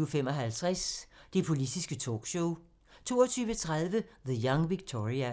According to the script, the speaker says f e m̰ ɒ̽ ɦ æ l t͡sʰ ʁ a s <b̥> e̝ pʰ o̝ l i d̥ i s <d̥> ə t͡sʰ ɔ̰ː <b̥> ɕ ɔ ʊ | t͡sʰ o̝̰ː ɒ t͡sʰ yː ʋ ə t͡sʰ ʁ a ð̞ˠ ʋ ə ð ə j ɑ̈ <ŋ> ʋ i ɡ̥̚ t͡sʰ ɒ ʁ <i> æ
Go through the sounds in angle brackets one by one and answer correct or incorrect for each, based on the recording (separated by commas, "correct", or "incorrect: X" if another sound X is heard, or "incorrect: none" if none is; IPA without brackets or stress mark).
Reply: incorrect: d̥, incorrect: ɡ̥, incorrect: ɡ̥, correct, correct